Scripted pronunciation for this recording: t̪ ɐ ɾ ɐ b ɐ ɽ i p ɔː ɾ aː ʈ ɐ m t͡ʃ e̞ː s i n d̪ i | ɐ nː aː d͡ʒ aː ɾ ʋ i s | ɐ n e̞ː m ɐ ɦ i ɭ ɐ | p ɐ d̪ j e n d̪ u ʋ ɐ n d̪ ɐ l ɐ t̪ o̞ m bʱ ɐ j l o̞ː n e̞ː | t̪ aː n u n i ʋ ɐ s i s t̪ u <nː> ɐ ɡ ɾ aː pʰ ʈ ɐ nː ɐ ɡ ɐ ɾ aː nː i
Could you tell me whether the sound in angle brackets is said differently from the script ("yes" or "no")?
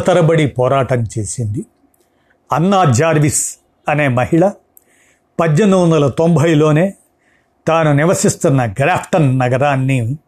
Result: no